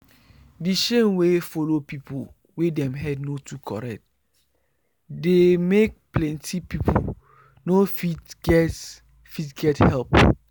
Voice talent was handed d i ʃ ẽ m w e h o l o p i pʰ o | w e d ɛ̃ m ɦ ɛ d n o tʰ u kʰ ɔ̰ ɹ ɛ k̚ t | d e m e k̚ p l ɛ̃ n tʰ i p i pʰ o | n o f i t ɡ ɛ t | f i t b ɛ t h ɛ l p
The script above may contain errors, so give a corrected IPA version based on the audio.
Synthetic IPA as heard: d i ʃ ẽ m w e f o l o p i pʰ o | w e d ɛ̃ m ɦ ɛ d n o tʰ u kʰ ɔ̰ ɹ ɛ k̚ t | d e m e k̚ p l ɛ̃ n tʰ i p i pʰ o | n o f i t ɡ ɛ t | f i t ɡ ɛ t h ɛ l p